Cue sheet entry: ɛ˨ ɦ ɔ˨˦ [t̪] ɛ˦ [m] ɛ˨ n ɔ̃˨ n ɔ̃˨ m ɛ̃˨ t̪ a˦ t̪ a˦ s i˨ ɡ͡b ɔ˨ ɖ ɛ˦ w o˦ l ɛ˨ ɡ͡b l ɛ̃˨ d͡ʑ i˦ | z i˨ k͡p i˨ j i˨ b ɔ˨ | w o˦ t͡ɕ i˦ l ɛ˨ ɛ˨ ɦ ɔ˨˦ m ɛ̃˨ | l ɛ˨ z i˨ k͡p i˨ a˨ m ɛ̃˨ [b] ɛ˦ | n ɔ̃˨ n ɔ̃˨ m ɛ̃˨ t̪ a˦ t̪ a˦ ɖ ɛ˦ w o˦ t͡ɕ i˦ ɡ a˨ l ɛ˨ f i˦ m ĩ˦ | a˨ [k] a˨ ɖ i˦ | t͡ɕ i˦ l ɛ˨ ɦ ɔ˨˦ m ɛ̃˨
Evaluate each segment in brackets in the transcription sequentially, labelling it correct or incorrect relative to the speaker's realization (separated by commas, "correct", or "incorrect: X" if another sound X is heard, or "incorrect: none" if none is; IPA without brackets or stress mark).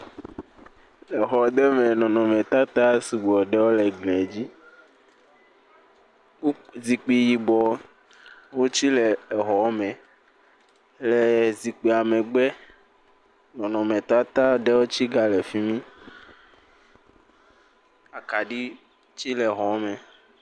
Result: incorrect: d̪, correct, incorrect: ɡ͡b, correct